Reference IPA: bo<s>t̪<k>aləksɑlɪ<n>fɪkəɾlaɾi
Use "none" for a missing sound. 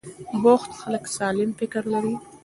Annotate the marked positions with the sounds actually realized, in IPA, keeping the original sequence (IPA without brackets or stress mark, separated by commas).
x, x, m